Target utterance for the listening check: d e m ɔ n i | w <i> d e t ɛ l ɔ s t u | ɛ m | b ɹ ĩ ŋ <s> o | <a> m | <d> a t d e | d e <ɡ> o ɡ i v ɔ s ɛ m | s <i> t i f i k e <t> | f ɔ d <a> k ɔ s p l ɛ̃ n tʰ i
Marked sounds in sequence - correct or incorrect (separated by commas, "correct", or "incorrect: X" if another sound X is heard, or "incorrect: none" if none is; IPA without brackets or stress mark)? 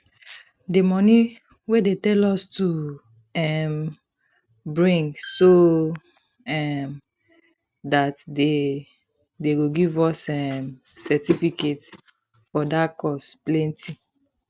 incorrect: e, correct, incorrect: ɛ, correct, correct, incorrect: ɛ, correct, correct